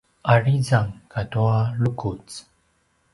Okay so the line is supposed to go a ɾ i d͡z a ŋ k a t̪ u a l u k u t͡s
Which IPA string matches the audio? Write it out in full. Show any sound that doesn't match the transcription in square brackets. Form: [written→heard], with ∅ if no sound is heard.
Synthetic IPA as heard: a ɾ i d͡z a ŋ k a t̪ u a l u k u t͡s